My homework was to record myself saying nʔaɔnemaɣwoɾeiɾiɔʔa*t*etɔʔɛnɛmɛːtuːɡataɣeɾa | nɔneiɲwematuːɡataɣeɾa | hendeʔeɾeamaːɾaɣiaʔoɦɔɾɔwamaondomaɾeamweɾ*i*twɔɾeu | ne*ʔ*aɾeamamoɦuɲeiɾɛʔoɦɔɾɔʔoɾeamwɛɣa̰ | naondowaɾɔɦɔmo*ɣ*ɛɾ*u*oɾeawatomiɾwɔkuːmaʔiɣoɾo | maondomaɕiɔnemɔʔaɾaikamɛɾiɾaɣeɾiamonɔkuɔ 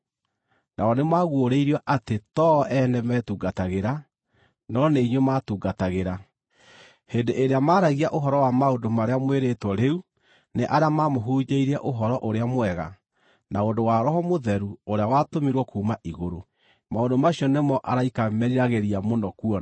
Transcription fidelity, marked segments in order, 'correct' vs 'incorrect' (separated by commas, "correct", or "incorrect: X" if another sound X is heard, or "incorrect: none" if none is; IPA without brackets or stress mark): correct, incorrect: e, correct, incorrect: ð, correct